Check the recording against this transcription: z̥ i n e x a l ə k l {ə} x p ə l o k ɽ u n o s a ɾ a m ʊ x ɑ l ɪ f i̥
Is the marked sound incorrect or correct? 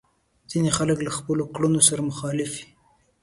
incorrect